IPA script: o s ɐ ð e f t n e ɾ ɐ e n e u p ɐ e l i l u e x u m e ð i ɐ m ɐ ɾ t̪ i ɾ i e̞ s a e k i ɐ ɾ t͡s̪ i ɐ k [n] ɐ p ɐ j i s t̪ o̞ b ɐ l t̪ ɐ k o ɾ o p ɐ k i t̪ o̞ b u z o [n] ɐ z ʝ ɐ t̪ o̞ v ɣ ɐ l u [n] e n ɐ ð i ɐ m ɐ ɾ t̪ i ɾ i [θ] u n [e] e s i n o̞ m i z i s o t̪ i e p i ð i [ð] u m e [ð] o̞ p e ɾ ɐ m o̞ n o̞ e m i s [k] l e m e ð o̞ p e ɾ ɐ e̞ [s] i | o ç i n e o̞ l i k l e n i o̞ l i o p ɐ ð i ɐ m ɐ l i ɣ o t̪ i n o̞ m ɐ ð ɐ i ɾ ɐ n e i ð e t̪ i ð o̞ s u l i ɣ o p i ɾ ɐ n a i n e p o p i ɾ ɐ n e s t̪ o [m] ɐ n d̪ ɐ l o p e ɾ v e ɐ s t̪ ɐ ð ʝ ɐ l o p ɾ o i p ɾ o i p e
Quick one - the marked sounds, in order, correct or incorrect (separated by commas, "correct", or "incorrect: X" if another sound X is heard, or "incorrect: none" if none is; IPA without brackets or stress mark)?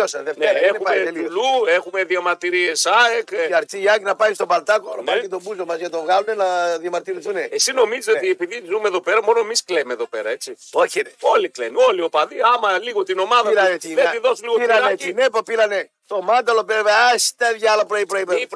correct, incorrect: m, correct, correct, correct, incorrect: z, correct, correct, incorrect: t͡s, correct